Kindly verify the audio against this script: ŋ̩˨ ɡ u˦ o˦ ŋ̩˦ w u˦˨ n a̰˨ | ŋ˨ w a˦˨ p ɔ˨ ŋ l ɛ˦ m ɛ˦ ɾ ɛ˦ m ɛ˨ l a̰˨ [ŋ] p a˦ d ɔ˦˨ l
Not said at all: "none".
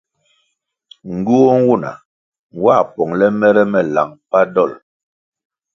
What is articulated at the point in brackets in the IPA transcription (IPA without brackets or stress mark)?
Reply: ŋ